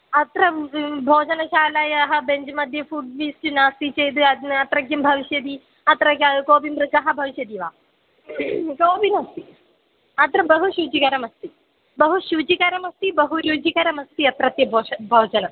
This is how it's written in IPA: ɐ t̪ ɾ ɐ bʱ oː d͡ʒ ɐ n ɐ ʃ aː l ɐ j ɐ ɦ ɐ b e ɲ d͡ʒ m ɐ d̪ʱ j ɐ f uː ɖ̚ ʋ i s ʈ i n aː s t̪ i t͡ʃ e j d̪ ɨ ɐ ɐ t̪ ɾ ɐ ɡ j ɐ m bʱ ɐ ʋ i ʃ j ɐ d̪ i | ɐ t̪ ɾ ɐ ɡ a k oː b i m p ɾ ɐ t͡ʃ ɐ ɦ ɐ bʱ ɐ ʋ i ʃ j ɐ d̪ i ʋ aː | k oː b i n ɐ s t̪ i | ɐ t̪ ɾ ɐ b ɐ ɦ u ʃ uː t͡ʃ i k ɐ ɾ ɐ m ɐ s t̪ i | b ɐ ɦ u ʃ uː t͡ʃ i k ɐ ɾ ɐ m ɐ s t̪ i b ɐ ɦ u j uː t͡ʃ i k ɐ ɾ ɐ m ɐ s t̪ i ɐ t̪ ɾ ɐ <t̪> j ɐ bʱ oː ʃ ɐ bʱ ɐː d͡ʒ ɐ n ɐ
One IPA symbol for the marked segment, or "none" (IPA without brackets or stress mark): t̪